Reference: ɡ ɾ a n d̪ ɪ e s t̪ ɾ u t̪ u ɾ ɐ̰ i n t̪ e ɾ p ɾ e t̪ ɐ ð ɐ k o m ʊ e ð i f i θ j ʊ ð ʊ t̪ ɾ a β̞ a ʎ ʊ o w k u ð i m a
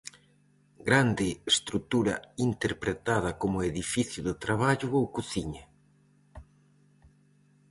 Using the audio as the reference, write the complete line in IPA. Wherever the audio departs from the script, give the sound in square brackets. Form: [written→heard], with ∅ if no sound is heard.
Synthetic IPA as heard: ɡ ɾ a n d̪ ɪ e s t̪ ɾ u t̪ u ɾ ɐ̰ i n t̪ e ɾ p ɾ e t̪ [ɐ→a] ð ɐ k o m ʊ e ð i f i θ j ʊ ð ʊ t̪ ɾ a β̞ a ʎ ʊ o w k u [ð→θ] i [m→ɲ] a